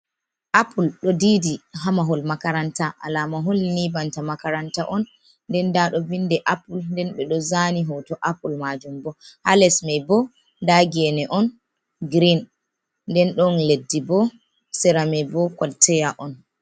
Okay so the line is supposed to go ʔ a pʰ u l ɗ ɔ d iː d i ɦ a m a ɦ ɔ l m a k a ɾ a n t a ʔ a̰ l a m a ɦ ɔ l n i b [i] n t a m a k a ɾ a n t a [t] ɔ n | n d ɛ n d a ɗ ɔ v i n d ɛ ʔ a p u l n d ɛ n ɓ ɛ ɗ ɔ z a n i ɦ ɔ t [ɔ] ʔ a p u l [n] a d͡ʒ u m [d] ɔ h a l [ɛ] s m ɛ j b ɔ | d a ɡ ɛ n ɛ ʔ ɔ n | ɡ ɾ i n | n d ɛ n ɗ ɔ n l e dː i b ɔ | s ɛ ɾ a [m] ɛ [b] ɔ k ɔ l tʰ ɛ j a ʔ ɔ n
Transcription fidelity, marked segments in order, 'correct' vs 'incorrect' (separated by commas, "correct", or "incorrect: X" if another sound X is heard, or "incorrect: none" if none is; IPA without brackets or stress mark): incorrect: a, incorrect: ʔ, correct, incorrect: m, incorrect: b, correct, correct, correct